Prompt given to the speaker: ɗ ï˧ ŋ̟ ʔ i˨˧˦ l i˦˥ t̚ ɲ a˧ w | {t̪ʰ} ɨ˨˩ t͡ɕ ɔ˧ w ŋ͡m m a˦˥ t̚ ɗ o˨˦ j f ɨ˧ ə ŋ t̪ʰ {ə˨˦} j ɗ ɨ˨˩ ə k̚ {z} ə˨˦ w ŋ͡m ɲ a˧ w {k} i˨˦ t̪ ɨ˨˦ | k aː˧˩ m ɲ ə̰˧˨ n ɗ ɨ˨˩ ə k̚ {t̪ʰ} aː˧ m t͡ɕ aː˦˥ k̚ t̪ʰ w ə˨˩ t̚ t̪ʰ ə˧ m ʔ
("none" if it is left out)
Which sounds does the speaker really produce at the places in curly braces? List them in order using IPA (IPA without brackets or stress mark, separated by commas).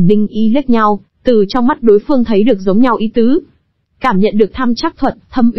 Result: t̪, ə˨˦, z, ʔ, t̪ʰ